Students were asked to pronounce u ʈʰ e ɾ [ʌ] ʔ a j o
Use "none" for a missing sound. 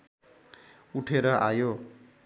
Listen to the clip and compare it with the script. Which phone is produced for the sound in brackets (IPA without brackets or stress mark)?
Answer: ʌ